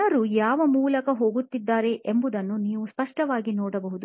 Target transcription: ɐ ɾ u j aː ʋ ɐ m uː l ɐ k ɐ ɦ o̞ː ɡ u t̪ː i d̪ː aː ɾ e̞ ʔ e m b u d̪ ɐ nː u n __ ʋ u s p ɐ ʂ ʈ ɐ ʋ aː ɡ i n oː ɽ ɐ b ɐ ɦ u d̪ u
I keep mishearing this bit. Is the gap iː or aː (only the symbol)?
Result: iː